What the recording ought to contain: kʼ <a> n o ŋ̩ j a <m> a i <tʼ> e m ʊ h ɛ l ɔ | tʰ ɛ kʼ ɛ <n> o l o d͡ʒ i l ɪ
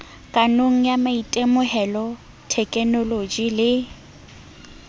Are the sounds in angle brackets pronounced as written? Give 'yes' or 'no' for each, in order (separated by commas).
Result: yes, yes, yes, yes